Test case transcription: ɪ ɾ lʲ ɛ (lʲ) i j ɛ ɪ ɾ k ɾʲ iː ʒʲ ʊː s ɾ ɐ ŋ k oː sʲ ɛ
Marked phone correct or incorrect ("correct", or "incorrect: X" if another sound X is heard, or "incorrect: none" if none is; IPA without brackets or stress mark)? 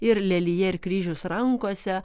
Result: correct